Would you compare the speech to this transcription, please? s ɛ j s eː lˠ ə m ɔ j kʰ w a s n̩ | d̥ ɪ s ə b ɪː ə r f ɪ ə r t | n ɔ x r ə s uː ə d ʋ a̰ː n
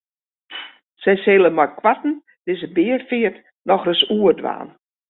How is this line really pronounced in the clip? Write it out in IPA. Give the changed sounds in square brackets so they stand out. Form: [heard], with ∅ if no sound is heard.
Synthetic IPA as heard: s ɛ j s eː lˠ ə m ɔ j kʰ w a [t] n̩ | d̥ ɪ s ə b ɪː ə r f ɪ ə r t | n ɔ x r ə s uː ə d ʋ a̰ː n